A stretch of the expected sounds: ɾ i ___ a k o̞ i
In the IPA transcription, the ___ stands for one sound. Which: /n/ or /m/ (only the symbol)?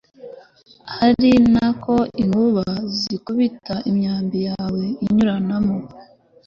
n